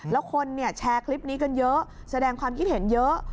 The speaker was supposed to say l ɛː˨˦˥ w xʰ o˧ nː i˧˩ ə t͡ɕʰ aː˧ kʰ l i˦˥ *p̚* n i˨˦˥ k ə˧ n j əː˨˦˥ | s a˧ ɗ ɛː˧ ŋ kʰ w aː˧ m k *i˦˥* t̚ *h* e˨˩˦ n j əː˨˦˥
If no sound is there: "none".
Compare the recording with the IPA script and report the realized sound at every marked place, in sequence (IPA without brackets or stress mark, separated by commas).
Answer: p̚, i˦˥, h